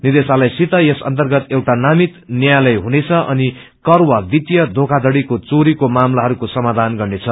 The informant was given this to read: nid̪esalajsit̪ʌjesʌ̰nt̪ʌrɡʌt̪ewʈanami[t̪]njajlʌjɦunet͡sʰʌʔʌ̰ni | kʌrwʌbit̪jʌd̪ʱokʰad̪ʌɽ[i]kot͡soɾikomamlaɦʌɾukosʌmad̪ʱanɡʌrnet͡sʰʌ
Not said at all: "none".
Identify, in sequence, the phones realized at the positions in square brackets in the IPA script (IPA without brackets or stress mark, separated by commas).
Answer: t̪, i